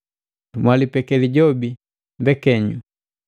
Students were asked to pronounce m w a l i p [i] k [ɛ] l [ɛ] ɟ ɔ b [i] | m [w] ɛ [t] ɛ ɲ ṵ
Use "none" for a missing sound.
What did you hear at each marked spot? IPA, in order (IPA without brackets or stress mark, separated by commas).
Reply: ɛ, ɛ, i, i, b, k